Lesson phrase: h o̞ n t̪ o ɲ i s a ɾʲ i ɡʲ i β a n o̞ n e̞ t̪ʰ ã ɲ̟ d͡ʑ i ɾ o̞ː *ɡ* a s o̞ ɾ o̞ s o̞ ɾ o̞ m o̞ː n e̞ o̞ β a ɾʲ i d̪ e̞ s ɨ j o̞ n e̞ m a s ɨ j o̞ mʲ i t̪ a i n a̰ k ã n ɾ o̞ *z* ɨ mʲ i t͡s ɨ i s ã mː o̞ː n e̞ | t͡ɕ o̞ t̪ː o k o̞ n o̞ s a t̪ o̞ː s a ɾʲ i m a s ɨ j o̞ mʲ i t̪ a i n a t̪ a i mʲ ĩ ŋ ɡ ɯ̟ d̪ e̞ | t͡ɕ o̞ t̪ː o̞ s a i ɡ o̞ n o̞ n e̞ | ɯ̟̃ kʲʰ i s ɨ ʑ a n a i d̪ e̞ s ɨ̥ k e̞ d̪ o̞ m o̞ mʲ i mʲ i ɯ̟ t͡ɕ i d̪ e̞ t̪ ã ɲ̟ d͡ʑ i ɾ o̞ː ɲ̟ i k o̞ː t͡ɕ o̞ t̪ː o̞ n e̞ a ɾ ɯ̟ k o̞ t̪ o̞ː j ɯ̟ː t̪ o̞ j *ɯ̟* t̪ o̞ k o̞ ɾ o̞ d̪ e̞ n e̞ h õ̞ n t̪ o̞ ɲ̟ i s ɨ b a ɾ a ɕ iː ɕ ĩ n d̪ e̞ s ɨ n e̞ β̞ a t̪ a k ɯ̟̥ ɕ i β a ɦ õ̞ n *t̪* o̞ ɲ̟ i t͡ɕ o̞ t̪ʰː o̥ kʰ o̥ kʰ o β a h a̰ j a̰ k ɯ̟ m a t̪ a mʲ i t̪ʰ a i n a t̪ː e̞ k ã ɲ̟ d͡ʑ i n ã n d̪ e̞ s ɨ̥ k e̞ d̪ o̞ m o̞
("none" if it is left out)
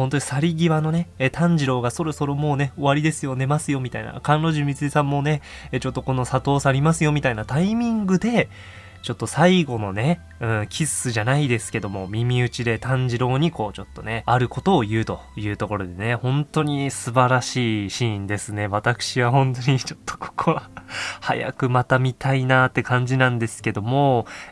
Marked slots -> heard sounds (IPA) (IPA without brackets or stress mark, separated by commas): ɡ, ʑ, ɯ̟ː, t̪